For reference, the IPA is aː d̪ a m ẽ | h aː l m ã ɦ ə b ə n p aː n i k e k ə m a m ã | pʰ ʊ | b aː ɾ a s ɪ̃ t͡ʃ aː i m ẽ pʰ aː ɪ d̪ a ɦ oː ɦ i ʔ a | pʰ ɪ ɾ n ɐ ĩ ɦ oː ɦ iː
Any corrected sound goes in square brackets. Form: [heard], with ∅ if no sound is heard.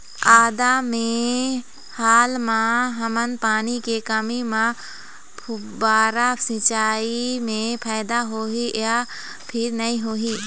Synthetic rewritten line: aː d̪ a m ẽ | h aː l m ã ɦ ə [m] ə n p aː n i k e k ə m [i] m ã | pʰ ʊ | b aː ɾ a s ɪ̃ t͡ʃ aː i m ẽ pʰ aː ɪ d̪ a ɦ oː ɦ i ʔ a | pʰ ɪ ɾ n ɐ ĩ ɦ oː ɦ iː